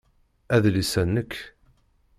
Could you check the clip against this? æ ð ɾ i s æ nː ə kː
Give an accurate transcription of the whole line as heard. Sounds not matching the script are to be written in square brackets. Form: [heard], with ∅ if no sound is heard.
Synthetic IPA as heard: æ ð [l] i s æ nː ə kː